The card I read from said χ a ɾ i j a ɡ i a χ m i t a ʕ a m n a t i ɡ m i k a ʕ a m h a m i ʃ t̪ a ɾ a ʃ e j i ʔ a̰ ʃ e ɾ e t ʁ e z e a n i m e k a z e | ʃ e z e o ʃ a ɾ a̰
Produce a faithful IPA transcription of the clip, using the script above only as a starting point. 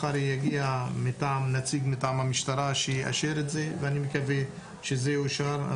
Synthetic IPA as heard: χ a ɾ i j a ɡ i a m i t a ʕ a m n a t͡s i ɡ m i t a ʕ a m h a m i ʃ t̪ a ɾ a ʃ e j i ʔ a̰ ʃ e ɾ e t z e v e a n i m e k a v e | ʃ e z e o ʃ a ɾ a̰